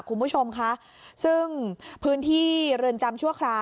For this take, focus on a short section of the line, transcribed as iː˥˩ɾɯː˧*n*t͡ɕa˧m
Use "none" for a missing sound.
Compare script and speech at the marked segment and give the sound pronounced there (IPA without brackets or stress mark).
n